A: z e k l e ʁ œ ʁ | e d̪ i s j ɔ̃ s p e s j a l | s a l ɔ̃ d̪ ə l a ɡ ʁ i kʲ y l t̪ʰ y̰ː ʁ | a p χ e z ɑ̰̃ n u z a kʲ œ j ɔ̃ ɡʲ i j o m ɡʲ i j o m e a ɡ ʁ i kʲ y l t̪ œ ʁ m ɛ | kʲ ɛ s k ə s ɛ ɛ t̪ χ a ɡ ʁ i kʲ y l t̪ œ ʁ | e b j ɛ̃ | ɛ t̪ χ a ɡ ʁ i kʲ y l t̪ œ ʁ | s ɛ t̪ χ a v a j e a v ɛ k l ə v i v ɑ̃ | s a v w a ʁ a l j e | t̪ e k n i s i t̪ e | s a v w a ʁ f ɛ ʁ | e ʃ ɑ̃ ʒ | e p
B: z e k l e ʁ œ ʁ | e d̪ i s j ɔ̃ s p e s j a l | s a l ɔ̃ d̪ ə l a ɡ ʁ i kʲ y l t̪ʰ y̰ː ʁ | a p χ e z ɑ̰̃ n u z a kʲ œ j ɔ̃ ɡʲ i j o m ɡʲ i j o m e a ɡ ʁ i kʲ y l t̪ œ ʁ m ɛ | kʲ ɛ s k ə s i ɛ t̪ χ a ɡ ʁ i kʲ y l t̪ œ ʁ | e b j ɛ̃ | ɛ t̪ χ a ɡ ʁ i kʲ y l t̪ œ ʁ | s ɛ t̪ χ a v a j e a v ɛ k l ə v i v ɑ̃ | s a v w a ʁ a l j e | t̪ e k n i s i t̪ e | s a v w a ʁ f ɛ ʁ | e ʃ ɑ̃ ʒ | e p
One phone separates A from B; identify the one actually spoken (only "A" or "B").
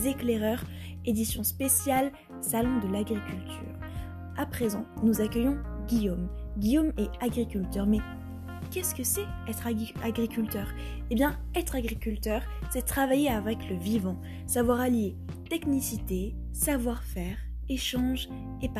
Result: A